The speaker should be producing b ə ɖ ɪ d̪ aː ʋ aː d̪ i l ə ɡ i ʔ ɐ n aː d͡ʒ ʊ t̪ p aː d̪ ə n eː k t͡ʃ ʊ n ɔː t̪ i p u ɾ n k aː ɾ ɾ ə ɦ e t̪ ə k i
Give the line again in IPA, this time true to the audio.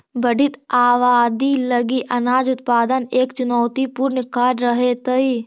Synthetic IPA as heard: b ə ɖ ɪ t̪ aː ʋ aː d̪ i l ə ɡ i ʔ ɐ n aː d͡ʒ ʊ t̪ p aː d̪ ə n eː k t͡ʃ ʊ n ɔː t̪ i p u ɾ n k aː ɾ ɾ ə ɦ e t̪ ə i